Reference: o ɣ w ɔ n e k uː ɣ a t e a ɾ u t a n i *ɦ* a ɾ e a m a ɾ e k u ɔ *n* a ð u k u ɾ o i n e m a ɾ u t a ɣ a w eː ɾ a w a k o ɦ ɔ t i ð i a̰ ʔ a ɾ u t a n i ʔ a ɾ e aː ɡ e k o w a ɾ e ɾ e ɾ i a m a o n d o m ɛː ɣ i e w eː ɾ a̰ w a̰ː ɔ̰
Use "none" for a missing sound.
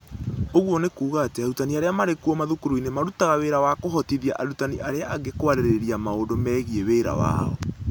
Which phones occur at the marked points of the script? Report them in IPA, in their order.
none, m

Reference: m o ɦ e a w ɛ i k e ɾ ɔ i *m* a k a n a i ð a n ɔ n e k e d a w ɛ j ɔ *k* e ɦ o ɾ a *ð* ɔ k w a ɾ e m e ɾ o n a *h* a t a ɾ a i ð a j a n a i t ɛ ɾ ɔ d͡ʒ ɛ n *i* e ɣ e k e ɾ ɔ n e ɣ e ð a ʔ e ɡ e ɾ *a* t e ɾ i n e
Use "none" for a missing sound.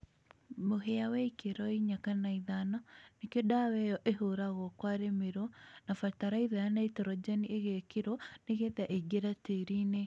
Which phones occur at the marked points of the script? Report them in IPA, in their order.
ɲ, ʔ, ɣ, f, i, a

